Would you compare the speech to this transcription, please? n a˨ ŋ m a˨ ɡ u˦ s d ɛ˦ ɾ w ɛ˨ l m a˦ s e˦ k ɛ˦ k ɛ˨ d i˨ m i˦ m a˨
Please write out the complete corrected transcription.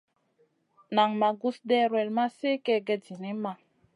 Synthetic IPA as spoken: n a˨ ŋ m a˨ ɡ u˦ s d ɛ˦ ɾ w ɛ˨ l m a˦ s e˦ k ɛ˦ ɡ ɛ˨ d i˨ n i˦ m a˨